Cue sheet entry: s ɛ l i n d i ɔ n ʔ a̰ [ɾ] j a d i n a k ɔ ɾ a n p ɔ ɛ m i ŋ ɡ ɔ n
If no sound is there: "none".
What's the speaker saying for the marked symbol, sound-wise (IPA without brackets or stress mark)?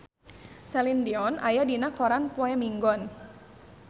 none